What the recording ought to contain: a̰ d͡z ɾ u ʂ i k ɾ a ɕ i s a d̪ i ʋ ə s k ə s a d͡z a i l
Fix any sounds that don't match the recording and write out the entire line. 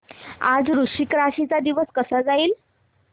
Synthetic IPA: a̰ d͡z ɾ u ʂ i k ɾ a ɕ i t͡s a d̪ i ʋ ə s k ə s a d͡z a iː l